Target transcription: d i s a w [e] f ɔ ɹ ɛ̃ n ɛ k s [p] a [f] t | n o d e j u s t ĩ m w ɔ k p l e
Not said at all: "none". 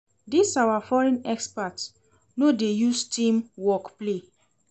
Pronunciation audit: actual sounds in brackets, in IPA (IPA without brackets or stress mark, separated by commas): a, p, none